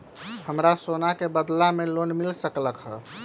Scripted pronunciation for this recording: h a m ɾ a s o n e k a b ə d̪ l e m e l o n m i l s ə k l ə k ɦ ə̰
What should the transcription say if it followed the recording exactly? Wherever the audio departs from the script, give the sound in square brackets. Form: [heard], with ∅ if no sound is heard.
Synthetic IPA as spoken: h [ə] m ɾ a s o n [a] k [e] b ə d̪ l [a] m e l o n m i l s ə k l ə k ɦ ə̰